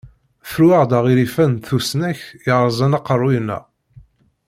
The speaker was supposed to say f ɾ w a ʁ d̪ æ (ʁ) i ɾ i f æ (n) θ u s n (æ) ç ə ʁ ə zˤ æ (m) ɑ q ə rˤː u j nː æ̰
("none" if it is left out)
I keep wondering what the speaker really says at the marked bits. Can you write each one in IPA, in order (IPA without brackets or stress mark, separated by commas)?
ʁ, n, æ, n